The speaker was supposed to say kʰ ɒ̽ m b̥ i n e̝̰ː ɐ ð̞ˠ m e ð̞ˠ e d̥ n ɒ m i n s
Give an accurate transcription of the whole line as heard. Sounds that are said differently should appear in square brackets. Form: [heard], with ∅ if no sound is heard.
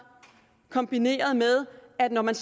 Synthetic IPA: kʰ ɒ̽ m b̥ i n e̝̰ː ɐ ð̞ˠ m e ð̞ˠ [æ] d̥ n ɒ m [æ] n s